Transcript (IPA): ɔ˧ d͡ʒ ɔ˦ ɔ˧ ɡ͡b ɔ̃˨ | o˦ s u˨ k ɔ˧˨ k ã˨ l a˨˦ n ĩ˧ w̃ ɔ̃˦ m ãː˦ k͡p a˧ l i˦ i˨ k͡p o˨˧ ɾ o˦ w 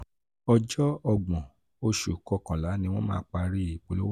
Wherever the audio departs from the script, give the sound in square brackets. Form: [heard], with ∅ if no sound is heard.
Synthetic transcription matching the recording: ɔ˧ d͡ʒ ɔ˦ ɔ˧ ɡ͡b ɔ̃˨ | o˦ [ʃ] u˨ k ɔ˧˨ k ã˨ l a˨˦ n ĩ˧ w̃ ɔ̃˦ m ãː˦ k͡p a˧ [ɾ] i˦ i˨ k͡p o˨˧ [l] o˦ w